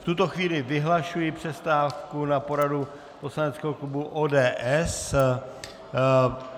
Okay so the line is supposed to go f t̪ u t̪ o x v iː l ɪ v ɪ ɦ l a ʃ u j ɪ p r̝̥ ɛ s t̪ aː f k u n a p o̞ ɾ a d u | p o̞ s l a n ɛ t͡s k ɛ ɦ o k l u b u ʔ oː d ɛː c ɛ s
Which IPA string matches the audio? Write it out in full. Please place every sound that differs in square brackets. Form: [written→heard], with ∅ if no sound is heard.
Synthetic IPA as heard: f t̪ u t̪ o x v iː l ɪ v ɪ ɦ l a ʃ u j ɪ p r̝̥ ɛ s t̪ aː f k u n a p o̞ ɾ a d u | p o̞ s l a n ɛ t͡s k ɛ ɦ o k l u b u ʔ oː d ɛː [c→ʔ] ɛ s